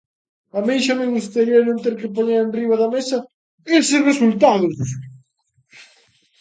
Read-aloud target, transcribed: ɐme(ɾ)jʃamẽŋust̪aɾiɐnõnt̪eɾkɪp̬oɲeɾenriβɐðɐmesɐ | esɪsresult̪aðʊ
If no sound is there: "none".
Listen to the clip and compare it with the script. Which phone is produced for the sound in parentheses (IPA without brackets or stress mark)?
none